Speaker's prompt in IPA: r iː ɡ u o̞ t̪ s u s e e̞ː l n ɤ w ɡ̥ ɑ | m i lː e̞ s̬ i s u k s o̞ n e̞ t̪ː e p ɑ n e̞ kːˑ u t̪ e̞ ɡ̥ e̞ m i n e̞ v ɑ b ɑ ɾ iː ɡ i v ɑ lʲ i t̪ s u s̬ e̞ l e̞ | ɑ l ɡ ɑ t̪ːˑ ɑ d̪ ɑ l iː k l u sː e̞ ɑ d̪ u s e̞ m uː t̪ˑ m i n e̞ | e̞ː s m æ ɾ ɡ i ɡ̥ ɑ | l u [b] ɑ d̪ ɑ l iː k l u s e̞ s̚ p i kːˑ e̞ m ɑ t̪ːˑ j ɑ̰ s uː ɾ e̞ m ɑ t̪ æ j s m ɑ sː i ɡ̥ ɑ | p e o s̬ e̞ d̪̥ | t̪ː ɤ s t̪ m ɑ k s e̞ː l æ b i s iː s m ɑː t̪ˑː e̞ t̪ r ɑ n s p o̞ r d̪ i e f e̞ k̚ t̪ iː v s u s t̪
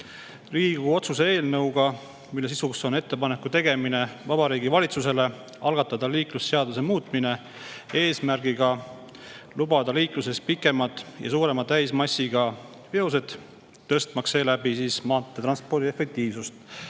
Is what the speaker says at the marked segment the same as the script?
yes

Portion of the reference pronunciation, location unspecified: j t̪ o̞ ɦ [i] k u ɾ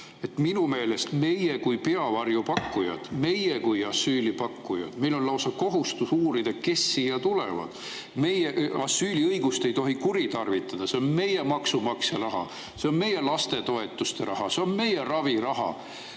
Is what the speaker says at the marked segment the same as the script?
yes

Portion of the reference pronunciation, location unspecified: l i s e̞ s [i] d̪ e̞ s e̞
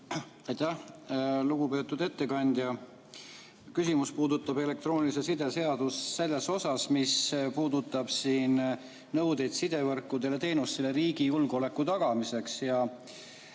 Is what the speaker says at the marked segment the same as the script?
yes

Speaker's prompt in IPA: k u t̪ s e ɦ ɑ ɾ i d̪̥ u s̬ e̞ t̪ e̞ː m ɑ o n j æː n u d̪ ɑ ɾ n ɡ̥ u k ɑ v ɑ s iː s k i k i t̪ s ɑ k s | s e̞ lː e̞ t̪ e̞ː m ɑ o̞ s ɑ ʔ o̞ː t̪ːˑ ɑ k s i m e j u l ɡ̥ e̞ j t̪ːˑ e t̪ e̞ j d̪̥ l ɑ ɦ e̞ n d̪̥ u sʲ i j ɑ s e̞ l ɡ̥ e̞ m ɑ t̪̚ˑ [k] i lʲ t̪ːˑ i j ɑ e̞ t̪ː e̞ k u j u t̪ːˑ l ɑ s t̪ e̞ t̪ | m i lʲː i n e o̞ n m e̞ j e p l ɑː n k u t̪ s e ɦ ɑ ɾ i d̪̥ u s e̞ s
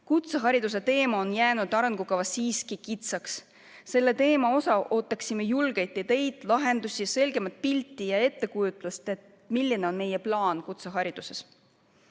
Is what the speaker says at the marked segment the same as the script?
no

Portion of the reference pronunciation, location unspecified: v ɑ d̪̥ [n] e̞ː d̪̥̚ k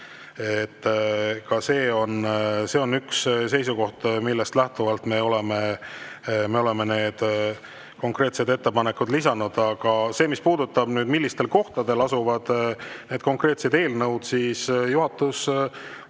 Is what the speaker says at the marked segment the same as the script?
yes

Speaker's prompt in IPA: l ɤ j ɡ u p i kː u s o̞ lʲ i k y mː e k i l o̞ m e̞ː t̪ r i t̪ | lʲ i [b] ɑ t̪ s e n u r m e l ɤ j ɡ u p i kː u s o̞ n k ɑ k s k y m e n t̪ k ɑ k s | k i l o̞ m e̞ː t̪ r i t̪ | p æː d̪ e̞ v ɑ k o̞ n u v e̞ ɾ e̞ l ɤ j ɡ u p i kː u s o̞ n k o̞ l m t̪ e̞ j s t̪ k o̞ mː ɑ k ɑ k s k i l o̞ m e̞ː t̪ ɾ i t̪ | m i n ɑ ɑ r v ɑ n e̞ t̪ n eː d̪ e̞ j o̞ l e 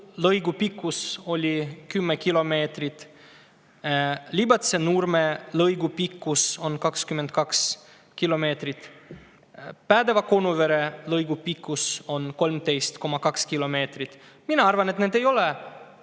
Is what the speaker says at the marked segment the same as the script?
yes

